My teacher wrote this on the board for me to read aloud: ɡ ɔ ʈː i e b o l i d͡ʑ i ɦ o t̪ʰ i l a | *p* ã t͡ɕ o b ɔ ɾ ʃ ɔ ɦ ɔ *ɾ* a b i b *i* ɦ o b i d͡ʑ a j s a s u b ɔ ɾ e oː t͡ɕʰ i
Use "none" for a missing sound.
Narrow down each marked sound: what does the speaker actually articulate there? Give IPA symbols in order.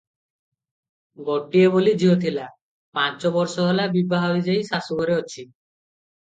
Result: p, l, a

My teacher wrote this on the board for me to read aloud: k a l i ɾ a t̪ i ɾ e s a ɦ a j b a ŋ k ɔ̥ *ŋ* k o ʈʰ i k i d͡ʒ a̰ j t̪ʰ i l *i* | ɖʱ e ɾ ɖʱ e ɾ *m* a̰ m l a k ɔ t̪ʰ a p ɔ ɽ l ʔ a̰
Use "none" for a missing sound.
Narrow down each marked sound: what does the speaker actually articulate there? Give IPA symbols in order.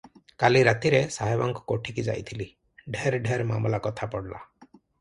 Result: none, i, m

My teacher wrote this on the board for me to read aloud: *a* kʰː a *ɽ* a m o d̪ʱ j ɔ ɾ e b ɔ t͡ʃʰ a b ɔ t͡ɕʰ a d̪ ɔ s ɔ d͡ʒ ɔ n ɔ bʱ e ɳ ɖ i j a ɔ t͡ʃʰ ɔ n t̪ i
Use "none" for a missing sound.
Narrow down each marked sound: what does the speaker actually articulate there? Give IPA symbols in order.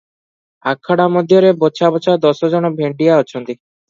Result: a, ɽ

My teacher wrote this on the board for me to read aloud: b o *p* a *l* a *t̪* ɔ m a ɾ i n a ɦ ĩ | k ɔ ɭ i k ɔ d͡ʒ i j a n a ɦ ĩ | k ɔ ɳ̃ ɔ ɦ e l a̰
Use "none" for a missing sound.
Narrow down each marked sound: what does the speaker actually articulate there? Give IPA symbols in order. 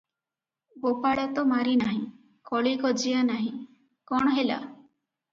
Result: p, ɽ, t̪

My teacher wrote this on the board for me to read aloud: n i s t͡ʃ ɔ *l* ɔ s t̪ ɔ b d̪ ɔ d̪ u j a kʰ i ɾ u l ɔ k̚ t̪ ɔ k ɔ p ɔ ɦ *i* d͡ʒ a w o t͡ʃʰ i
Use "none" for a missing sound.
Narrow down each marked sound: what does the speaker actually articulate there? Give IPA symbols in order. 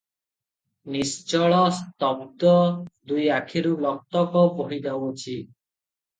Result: ɭ, i

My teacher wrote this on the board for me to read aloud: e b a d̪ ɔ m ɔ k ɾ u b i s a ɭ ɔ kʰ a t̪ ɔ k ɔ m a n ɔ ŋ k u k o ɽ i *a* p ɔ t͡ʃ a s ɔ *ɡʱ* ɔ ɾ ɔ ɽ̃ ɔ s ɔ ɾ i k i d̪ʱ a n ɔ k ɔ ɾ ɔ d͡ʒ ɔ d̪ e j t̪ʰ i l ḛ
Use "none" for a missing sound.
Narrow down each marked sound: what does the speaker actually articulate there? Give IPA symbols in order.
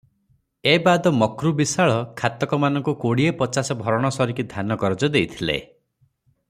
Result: e, bʱ

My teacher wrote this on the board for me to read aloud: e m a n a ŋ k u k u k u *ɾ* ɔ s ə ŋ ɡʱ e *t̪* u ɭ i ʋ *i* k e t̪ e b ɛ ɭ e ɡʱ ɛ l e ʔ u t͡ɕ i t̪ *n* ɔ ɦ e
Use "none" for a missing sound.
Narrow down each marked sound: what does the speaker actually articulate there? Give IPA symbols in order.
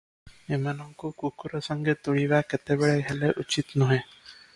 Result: ɾ, t̪, a, n

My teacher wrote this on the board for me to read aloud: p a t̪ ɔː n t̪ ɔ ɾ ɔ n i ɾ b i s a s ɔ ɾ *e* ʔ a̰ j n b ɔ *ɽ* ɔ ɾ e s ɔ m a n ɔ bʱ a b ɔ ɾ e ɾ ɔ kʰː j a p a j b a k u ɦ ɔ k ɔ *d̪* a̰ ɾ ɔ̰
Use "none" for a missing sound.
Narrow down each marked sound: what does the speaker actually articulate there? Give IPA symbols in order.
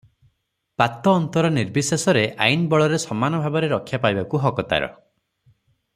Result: e, ɭ, t̪

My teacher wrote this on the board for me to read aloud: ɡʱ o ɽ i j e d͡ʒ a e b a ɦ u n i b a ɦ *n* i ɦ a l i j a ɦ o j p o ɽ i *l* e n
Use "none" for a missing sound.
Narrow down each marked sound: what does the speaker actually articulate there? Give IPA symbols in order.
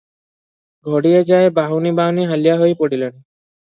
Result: n, l

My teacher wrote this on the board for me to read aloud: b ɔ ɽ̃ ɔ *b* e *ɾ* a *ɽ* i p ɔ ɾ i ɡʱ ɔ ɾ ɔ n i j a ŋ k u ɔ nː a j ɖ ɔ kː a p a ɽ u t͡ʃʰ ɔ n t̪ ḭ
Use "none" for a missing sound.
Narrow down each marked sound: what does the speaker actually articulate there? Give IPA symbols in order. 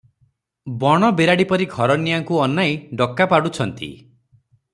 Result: b, ɾ, ɽ

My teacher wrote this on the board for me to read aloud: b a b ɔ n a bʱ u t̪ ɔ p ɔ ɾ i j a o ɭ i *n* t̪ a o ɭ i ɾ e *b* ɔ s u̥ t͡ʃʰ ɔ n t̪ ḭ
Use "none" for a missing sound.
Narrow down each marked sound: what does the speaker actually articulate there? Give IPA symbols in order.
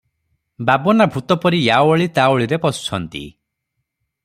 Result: none, p

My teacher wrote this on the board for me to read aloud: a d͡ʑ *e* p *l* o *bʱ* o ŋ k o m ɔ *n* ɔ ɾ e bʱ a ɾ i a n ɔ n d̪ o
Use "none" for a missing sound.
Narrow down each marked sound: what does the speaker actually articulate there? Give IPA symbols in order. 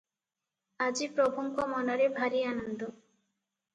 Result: i, ɾ, bʱ, n

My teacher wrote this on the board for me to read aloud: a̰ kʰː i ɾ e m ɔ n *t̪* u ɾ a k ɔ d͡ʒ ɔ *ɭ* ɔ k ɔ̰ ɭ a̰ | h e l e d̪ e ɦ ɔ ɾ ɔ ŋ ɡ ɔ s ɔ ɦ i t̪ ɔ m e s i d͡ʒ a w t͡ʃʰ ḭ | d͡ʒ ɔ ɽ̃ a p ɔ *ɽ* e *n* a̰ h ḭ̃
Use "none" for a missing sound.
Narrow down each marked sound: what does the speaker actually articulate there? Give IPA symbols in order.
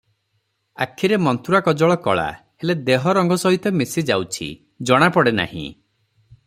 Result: t̪, ɭ, ɽ, n

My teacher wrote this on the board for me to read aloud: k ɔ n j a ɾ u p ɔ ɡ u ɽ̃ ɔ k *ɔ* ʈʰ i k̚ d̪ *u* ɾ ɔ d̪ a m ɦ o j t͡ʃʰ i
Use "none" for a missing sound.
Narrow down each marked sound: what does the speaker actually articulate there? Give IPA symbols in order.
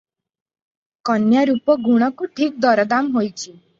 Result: u, ɔ

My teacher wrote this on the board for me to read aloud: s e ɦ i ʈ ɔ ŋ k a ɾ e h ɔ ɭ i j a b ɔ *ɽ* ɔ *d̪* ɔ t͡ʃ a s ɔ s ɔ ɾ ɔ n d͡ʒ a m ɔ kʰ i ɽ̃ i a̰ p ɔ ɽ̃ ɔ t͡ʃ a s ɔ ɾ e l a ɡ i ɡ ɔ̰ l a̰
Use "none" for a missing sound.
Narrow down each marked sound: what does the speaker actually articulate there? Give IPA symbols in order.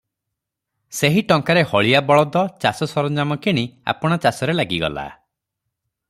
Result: ɭ, d̪

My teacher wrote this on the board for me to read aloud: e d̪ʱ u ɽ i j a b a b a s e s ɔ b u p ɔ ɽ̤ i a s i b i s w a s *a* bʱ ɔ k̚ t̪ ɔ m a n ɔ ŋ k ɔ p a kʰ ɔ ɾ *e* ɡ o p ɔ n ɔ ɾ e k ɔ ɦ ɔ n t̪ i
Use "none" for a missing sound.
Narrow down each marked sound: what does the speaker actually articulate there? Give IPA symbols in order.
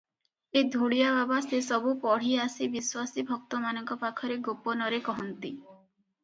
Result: i, e

